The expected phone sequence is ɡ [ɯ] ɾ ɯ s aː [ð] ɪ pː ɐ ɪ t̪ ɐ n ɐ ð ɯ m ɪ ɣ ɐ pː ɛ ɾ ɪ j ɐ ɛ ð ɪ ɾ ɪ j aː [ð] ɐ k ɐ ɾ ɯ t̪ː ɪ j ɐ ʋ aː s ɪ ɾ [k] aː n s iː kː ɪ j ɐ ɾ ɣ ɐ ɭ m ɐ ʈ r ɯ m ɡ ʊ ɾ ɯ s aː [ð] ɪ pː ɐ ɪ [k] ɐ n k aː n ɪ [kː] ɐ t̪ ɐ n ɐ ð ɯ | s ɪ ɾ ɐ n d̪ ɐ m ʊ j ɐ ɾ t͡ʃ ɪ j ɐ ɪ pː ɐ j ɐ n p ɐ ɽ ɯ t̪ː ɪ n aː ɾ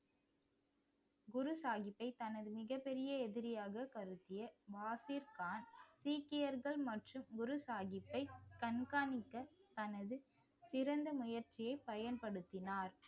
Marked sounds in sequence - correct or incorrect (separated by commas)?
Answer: incorrect, incorrect, incorrect, correct, incorrect, correct, correct